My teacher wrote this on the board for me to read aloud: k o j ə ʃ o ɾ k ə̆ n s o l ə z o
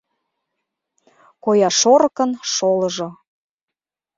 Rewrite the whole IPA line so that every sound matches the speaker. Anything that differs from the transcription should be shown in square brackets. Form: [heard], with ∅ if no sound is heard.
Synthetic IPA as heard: k o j [ɑ] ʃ o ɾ k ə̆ n [ʃ] o l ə [ʒ] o